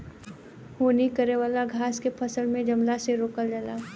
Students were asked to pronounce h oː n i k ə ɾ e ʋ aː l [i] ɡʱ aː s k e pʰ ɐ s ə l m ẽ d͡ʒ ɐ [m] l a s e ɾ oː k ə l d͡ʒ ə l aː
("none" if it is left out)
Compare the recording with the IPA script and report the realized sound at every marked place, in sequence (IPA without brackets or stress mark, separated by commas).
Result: a, m